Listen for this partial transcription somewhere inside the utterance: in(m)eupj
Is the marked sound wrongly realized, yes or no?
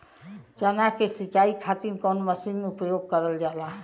no